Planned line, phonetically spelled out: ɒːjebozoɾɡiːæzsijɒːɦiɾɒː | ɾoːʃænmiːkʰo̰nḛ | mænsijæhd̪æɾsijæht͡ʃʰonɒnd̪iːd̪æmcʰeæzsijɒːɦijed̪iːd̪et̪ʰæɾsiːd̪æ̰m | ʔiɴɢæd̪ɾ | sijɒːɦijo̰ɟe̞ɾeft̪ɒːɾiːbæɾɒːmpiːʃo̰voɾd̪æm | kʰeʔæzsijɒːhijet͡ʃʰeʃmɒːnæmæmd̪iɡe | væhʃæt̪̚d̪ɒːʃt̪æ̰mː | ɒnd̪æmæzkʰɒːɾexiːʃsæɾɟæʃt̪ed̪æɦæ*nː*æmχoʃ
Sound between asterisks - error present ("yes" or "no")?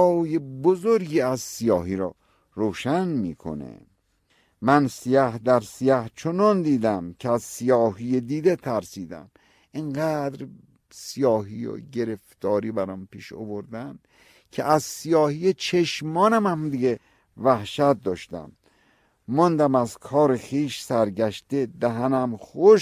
yes